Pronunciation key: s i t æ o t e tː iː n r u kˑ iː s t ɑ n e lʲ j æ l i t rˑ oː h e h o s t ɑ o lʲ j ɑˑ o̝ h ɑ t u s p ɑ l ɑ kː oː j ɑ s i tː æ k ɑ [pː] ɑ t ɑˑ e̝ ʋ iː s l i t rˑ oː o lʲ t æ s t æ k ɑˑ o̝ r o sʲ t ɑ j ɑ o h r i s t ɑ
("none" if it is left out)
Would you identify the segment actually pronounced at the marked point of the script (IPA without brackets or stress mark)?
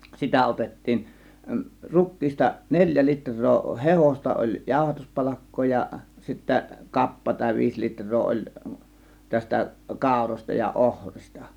pː